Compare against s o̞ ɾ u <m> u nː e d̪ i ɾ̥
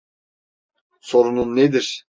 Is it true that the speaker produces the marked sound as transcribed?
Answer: no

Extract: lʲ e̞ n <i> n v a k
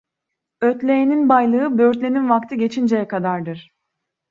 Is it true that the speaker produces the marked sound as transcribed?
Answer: yes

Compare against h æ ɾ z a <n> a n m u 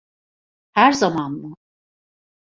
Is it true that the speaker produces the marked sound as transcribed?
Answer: no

